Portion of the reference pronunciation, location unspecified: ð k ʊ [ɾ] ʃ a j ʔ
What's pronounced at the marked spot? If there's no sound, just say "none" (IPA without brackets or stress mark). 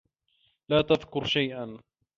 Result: ɾ